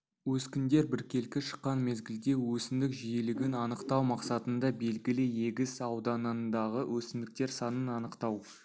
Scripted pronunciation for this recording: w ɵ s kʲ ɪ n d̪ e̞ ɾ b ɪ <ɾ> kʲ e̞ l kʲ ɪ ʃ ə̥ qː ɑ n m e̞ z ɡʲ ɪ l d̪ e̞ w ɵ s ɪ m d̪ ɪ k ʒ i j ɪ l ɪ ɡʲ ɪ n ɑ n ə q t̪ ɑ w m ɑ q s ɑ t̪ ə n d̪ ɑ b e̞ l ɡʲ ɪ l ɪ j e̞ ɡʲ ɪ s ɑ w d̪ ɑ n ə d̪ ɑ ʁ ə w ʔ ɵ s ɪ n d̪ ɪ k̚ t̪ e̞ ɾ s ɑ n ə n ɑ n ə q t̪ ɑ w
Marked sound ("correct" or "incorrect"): correct